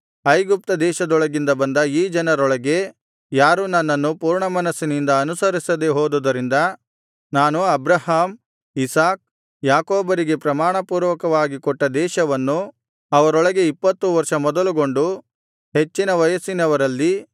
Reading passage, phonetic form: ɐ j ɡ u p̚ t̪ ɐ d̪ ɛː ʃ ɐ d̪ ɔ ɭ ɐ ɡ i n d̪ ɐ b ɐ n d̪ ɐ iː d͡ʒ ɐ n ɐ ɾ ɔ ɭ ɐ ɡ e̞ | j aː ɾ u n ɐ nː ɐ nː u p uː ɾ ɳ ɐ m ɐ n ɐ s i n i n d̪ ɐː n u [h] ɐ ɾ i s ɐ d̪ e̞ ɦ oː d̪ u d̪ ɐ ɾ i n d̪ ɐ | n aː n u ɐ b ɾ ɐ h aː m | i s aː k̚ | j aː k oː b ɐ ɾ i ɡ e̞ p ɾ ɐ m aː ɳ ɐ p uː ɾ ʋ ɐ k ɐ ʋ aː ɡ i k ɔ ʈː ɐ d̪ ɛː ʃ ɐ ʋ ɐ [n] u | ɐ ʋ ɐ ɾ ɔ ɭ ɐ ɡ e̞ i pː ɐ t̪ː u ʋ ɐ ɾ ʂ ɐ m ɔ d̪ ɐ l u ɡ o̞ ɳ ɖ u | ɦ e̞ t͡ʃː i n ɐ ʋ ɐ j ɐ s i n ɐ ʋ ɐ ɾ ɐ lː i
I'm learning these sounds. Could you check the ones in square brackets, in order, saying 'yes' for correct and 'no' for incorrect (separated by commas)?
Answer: no, no